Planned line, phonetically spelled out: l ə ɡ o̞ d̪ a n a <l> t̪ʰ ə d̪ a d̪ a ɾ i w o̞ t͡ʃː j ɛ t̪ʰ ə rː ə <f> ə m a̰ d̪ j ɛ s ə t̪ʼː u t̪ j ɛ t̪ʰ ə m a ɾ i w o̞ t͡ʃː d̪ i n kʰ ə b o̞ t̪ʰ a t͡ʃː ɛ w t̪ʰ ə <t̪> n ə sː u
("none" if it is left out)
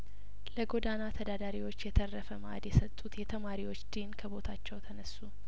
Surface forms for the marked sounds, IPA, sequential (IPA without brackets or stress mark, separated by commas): none, f, none